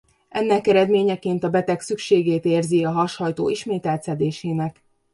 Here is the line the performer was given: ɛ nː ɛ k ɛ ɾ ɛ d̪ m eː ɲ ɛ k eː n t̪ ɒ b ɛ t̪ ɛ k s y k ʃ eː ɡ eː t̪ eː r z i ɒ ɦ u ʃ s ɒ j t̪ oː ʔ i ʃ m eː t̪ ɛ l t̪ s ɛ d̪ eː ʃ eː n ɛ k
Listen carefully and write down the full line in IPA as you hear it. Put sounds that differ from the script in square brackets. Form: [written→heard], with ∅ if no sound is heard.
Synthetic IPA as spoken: ɛ nː ɛ k ɛ ɾ ɛ d̪ m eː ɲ ɛ k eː n t̪ ɒ b ɛ t̪ ɛ k s y k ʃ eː ɡ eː t̪ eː r z i ɒ ɦ [u→ɒ] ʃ [s→h] ɒ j t̪ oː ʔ i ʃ m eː t̪ ɛ l t̪ s ɛ d̪ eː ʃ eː n ɛ k